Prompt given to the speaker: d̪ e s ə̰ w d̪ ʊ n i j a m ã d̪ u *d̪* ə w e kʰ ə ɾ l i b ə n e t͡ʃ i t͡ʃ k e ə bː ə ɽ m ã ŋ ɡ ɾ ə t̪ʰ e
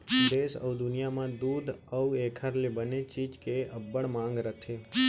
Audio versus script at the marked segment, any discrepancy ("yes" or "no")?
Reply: no